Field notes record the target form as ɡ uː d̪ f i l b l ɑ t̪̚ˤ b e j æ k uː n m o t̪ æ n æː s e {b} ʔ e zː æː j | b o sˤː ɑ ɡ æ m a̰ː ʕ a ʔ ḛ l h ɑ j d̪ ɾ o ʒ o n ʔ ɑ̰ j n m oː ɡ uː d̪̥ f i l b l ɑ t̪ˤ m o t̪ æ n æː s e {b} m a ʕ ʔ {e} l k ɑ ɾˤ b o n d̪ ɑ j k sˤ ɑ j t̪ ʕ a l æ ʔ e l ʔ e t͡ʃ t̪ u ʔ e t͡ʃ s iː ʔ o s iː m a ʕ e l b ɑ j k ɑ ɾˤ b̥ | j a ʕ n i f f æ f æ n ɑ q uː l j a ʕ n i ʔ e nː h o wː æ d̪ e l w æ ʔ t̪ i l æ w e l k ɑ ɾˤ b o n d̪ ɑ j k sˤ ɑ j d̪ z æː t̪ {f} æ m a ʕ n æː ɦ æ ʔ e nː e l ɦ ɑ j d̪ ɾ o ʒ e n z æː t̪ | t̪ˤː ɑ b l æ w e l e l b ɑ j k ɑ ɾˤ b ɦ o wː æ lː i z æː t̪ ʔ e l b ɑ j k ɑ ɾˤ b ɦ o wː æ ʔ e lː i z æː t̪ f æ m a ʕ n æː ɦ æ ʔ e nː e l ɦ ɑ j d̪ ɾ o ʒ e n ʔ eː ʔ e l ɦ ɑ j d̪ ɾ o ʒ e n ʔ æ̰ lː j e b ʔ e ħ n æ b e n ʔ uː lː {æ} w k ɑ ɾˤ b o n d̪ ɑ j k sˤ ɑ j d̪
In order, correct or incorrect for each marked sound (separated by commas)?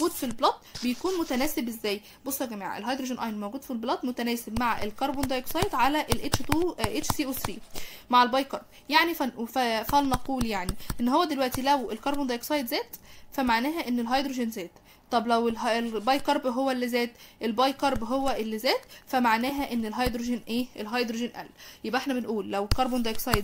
correct, correct, correct, correct, correct